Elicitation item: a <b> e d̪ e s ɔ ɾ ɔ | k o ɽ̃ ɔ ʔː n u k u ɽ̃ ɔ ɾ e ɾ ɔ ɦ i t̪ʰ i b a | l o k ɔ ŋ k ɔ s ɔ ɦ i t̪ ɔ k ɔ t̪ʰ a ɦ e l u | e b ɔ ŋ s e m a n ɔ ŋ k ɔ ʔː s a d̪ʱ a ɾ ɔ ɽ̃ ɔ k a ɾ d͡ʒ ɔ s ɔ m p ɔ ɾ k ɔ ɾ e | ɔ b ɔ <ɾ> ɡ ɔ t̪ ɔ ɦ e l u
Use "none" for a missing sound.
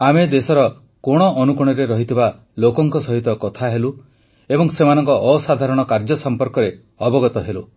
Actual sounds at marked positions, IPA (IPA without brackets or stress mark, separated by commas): m, none